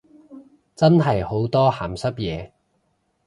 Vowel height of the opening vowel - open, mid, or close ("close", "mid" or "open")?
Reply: open